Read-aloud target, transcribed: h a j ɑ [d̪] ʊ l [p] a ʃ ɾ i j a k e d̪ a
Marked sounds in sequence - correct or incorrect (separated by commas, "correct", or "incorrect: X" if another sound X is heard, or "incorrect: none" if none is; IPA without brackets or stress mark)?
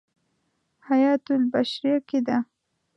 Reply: incorrect: t̪, incorrect: b